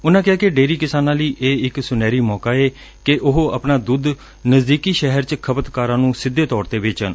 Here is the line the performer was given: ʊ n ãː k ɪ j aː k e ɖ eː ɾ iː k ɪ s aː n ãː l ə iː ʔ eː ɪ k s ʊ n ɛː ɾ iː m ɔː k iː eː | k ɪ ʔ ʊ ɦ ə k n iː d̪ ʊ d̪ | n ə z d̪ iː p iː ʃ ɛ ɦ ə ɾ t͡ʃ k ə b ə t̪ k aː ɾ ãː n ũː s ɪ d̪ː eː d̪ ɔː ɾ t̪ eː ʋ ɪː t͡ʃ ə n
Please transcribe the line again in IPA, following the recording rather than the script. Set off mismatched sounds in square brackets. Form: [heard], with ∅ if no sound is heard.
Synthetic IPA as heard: ʊ n ãː k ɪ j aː k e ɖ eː ɾ iː k ɪ s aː n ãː l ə iː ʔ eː ɪ k s ʊ n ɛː ɾ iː m ɔː k [aː] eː | k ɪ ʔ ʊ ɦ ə [p] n [aː] d̪ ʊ d̪ | n ə z d̪ iː [k] iː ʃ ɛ ɦ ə ɾ t͡ʃ [kʰ] ə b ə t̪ k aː ɾ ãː n ũː s ɪ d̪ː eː [t̪] ɔː ɾ t̪ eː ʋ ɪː t͡ʃ ə n